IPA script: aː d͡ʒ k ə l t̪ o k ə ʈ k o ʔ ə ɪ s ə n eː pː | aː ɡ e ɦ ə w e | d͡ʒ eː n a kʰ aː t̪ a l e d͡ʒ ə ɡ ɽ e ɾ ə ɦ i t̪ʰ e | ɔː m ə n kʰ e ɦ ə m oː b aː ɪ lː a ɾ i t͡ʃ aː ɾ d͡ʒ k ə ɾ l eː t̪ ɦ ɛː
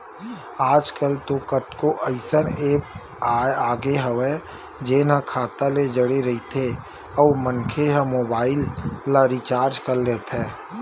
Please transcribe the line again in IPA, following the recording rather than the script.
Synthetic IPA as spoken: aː d͡ʒ k ə l t̪ o k ə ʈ k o ʔ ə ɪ s ə n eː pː | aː ɡ e ɦ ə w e | d͡ʒ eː n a kʰ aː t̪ a l e d͡ʒ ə ɽ e ɾ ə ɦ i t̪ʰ e | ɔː m ə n kʰ e ɦ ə m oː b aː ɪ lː a ɾ i t͡ʃ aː ɾ d͡ʒ k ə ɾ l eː t̪ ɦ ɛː